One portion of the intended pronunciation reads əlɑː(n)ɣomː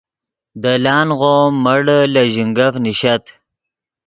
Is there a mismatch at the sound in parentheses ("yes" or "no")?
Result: no